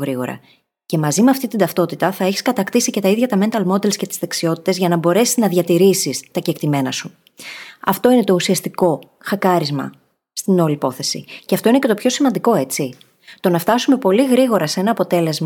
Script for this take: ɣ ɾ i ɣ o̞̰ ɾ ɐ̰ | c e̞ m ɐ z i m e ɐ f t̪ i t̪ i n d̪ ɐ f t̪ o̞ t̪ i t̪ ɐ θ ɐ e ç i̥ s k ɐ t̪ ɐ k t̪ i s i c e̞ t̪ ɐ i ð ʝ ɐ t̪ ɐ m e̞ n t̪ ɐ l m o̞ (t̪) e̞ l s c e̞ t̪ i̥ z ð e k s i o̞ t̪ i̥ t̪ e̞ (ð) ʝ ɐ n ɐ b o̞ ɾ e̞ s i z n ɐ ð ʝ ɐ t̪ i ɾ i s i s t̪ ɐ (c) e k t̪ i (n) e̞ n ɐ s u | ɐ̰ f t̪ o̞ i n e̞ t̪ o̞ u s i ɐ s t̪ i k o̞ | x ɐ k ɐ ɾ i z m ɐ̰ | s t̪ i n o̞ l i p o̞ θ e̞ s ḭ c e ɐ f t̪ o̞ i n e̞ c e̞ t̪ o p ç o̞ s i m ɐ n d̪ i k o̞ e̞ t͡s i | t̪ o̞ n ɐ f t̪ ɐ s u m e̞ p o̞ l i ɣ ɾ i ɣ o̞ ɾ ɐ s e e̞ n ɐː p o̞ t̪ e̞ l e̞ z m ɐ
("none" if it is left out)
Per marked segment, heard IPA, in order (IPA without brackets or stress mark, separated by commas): d̪, z, c, m